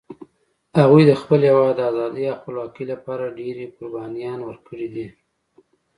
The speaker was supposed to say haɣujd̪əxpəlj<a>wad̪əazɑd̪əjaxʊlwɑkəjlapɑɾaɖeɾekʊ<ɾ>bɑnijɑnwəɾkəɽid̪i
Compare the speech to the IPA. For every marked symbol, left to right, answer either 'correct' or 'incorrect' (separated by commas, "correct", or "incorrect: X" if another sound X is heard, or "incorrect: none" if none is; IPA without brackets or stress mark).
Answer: correct, correct